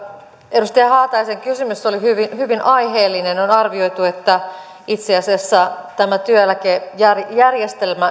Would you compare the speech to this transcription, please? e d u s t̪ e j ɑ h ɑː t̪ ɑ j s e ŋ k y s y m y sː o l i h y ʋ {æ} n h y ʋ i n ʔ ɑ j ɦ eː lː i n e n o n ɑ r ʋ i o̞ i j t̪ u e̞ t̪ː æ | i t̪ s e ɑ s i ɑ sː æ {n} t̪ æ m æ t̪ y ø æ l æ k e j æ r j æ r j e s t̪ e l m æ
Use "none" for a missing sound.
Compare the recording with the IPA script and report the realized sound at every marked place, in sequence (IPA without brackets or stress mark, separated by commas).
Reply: i, none